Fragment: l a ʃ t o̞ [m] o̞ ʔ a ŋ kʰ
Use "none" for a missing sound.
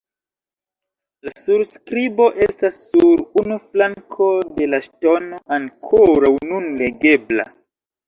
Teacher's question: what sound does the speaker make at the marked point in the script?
n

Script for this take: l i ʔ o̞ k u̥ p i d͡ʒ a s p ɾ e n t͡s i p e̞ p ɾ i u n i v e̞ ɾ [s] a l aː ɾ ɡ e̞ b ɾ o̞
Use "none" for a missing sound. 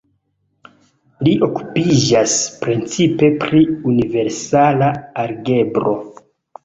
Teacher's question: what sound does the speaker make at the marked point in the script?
s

